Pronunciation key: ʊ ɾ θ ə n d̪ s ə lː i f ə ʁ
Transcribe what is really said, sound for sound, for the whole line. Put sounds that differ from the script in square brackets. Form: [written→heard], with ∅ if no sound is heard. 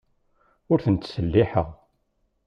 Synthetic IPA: ʊ ɾ θ ə n [d̪→t̪] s ə lː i [f→ħ] ə ʁ